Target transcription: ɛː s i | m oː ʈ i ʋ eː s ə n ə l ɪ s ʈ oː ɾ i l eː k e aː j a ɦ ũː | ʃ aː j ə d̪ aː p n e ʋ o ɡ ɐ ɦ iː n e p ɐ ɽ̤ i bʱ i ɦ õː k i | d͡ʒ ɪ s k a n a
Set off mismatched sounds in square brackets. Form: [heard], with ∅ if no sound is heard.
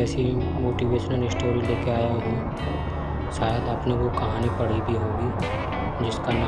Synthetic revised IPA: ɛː s i | m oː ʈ i ʋ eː [ʃ] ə n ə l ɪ s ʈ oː ɾ i l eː k e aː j a ɦ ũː | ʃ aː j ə d̪ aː p n e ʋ o [k] ɐ ɦ [aː] n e p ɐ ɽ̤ i bʱ i ɦ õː [ɡ] i | d͡ʒ ɪ s k a n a